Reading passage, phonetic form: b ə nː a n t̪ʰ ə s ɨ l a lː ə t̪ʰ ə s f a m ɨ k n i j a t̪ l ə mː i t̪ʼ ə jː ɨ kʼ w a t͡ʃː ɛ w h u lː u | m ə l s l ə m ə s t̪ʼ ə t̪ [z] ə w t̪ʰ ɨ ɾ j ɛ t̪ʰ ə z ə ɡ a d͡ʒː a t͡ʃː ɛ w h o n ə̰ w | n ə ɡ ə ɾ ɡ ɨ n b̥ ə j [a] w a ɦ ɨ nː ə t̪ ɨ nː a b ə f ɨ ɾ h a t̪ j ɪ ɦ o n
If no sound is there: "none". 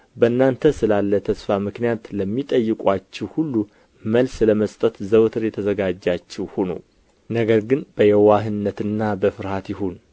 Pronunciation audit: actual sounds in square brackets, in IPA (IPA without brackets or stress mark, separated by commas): z, ɛ